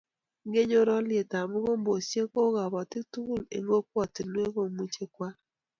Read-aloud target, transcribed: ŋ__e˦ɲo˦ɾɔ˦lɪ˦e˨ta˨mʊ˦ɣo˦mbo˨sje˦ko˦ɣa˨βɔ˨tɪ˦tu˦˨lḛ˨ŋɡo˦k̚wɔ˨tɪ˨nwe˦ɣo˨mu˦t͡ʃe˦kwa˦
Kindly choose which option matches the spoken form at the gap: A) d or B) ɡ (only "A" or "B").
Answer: B